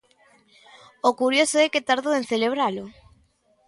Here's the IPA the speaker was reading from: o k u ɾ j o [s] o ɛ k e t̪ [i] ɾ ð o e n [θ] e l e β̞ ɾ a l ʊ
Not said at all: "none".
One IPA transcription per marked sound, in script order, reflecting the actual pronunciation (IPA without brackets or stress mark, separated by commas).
s, a, θ